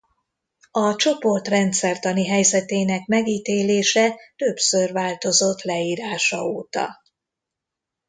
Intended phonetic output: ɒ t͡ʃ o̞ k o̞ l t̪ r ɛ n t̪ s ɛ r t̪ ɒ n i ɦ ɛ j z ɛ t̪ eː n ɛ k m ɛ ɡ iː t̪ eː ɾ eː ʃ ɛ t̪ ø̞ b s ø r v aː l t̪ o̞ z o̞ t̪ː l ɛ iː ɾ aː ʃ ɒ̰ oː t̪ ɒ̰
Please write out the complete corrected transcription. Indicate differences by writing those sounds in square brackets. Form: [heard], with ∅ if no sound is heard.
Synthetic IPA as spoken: ɒ t͡ʃ o̞ [p] o̞ [r] t̪ r ɛ n t̪ s ɛ r t̪ ɒ n i ɦ ɛ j z ɛ t̪ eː n ɛ k m ɛ ɡ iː t̪ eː [l] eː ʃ ɛ t̪ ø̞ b s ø r v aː l t̪ o̞ z o̞ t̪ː l ɛ iː ɾ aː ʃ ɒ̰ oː t̪ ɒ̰